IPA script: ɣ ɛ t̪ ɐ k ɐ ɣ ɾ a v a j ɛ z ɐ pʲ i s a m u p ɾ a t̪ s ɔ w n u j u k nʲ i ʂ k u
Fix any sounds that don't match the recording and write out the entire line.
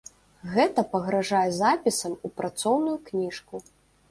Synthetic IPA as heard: ɣ ɛ t̪ ɐ p ɐ ɣ ɾ a ʐ a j ɛ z a pʲ i s ɐ m u p ɾ a t̪ s ɔ w n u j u k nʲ i ʂ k u